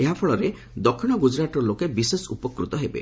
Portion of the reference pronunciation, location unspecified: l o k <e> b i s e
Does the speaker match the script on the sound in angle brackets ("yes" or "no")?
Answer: yes